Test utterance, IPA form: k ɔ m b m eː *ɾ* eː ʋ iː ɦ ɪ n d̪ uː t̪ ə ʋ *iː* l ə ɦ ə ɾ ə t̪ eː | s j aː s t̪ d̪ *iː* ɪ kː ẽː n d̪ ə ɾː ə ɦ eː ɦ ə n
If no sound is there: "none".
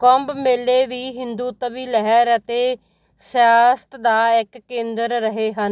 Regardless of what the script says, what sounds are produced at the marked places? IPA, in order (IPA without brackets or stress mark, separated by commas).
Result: l, iː, aː